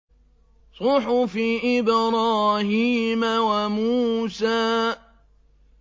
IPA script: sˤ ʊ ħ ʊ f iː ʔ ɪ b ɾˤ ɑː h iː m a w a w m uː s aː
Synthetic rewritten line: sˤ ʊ ħ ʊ f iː ʔ ɪ b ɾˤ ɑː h iː m a w a m uː s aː